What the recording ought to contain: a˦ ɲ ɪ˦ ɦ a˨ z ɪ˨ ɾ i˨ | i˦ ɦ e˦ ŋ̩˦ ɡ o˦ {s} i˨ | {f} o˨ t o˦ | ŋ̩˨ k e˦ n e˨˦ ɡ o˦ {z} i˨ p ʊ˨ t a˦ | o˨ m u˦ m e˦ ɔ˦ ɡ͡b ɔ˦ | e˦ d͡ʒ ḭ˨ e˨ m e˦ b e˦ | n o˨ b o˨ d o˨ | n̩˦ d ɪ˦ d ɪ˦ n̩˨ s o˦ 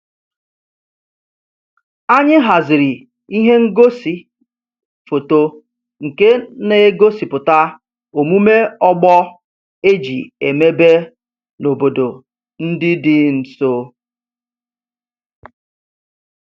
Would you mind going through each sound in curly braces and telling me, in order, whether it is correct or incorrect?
correct, correct, incorrect: s

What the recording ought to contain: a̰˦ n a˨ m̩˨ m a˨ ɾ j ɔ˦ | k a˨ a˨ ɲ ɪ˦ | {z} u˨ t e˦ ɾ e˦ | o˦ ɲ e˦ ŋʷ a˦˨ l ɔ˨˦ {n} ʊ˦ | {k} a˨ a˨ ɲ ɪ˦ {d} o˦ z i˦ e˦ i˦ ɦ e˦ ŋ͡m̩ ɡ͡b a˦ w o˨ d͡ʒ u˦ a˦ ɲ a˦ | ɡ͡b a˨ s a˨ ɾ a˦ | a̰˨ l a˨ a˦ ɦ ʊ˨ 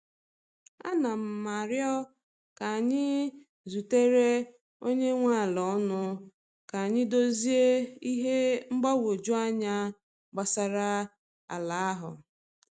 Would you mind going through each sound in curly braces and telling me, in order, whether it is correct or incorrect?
correct, correct, correct, correct

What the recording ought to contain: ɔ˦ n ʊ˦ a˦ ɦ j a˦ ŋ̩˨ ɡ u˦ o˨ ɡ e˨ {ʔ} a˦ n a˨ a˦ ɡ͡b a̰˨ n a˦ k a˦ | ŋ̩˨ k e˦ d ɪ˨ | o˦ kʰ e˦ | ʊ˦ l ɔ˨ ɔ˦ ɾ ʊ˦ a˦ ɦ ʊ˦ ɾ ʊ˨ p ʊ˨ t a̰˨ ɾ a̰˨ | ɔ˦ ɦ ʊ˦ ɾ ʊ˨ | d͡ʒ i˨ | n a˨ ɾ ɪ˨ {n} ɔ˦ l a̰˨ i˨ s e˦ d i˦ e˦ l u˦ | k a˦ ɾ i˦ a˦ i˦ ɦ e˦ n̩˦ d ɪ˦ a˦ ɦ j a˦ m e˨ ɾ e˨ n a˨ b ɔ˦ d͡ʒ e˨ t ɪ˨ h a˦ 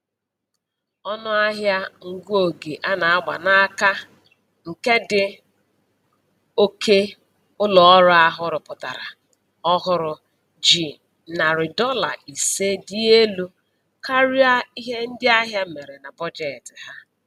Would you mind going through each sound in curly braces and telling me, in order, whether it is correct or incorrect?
correct, incorrect: d

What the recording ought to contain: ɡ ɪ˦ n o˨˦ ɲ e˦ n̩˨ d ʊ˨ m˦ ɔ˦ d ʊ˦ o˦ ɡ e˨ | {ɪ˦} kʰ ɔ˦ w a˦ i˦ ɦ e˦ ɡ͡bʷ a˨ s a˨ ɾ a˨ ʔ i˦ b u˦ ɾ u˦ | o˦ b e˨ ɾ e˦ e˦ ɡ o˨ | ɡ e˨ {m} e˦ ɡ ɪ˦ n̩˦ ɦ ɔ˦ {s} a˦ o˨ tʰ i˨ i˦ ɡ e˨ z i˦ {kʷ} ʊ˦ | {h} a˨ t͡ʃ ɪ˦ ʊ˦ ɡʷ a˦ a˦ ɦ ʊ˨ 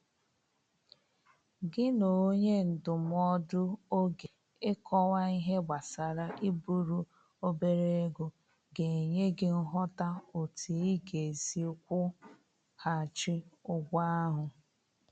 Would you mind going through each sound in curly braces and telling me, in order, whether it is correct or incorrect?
correct, incorrect: ɲ, incorrect: t, correct, correct

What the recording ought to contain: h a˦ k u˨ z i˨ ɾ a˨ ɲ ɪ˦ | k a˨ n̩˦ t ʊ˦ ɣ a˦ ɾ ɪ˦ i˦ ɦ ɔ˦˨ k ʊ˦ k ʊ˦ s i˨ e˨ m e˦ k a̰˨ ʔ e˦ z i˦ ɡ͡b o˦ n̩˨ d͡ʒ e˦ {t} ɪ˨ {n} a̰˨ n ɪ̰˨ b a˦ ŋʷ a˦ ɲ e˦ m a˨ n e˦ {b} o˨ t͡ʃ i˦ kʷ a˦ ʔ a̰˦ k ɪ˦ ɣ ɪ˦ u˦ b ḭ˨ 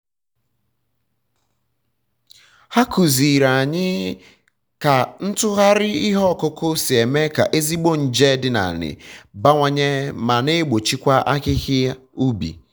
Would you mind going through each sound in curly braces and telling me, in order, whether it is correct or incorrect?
incorrect: d, correct, incorrect: ɡ͡b

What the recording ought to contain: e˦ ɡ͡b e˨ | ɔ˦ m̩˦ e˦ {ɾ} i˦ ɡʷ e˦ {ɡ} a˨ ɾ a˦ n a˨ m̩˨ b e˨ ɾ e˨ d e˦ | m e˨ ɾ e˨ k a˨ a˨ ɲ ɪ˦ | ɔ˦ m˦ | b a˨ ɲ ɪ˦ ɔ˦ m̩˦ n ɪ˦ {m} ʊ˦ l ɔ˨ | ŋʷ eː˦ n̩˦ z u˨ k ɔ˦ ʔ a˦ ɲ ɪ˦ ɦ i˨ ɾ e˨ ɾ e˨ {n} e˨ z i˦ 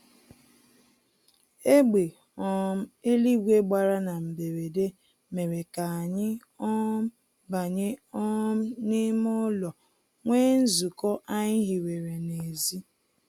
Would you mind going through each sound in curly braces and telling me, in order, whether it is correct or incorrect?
incorrect: l, incorrect: ɡ͡b, correct, correct

